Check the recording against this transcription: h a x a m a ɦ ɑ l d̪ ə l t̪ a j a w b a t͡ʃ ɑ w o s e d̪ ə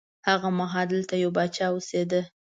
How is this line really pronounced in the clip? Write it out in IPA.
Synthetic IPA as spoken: h a ɣ a m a ɦ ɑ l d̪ ə l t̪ a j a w b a t͡ʃ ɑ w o s e d̪ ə